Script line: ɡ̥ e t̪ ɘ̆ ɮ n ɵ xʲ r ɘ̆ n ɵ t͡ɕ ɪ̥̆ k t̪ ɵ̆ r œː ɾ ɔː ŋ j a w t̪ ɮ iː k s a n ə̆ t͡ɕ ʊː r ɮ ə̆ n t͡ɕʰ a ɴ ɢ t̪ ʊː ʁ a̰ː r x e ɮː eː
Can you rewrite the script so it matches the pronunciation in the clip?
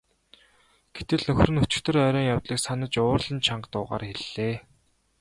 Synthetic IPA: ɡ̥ e t̪ ɘ̆ ɮ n ɵ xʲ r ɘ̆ n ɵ t͡ɕ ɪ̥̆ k t̪ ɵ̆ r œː ɾ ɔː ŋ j a w t̪ ɮ iː k s a n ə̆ t͡ɕ ʊː r ɮ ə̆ n t͡ɕʰ a ɴ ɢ t̪ ʊː ʁ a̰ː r x e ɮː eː